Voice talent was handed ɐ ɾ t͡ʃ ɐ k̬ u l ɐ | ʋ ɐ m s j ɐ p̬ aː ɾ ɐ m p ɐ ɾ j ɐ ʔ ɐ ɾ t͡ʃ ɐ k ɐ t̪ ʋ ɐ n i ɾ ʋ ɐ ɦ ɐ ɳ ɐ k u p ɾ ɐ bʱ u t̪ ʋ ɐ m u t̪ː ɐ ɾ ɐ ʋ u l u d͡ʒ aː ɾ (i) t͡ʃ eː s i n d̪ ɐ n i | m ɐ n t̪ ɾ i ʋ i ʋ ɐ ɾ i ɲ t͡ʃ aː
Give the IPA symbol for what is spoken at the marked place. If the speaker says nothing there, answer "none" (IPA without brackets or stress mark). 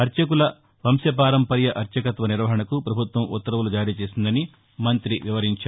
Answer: iː